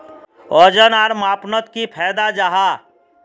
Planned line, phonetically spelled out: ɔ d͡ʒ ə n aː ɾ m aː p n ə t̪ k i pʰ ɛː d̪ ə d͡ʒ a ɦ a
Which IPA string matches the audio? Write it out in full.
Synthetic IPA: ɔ d͡ʒ ə n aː ɾ m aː p n ə t̪ k i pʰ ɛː d̪ a d͡ʒ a ɦ a